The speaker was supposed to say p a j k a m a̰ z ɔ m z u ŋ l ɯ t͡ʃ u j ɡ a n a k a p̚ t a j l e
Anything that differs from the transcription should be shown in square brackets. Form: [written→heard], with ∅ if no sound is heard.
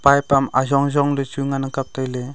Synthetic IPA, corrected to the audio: p a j [k→p] a m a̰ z ɔ [m→ŋ] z [u→ɔ] ŋ l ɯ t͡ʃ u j [ɡ→ŋ] a n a k a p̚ t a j l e